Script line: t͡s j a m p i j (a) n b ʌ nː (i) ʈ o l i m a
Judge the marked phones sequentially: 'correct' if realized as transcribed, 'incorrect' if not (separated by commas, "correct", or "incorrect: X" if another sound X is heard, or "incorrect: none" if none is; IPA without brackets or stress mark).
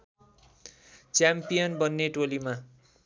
incorrect: ʌ, incorrect: e